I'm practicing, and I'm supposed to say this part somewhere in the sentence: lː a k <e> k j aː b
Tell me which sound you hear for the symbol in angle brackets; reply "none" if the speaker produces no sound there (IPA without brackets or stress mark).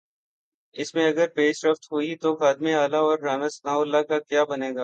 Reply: a